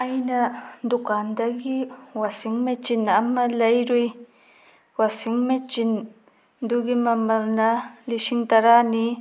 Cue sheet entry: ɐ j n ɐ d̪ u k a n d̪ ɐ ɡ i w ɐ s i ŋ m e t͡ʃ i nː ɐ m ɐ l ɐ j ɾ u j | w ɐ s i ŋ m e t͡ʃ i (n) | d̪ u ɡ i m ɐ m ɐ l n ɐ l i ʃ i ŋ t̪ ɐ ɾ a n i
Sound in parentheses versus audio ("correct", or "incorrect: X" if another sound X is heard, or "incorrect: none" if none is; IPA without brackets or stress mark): correct